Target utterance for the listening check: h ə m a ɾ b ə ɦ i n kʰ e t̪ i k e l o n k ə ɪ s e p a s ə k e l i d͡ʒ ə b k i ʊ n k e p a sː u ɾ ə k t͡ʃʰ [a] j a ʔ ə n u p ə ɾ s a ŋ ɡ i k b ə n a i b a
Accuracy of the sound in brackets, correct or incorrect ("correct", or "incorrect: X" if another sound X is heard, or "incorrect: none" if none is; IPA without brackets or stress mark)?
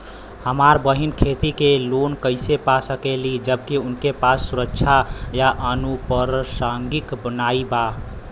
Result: correct